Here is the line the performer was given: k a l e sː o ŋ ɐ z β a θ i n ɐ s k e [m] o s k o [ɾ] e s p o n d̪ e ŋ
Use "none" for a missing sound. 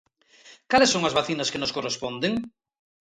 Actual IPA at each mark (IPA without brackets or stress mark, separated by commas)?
n, r